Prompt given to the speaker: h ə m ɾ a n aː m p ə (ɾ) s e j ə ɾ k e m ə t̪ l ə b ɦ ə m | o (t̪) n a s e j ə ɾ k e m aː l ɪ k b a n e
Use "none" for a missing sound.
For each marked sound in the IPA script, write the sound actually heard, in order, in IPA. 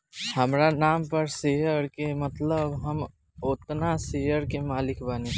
ɾ, t̪

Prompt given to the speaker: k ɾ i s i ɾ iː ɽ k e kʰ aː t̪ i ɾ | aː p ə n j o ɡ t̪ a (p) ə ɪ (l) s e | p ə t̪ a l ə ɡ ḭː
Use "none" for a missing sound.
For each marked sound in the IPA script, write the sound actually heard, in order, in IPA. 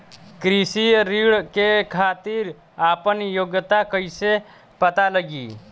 k, none

